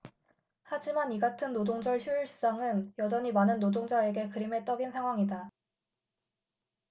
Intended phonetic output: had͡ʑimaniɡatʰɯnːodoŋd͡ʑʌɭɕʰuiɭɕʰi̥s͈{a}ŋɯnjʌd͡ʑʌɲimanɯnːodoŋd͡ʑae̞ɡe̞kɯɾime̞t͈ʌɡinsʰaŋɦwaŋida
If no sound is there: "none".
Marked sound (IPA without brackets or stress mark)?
a